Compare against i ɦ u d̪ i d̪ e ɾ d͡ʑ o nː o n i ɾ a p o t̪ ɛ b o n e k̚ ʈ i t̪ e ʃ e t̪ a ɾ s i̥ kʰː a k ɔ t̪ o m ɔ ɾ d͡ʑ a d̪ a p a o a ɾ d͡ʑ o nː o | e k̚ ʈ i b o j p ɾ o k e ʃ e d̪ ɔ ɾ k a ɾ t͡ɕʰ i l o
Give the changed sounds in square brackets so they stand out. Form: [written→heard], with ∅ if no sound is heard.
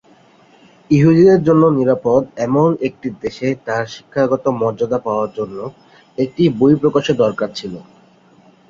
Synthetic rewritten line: i ɦ u d̪ i d̪ e ɾ d͡ʑ o nː o n i ɾ a p o [t̪→d̪] ɛ [b→m] o n e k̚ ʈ i [t̪→d̪] e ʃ e t̪ a ɾ [s→ʃ] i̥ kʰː a [k→ɡ] ɔ t̪ o m ɔ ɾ d͡ʑ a d̪ a p a o a ɾ d͡ʑ o nː o | e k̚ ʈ i b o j p ɾ o k [e→a] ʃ e d̪ ɔ ɾ k a ɾ t͡ɕʰ i l o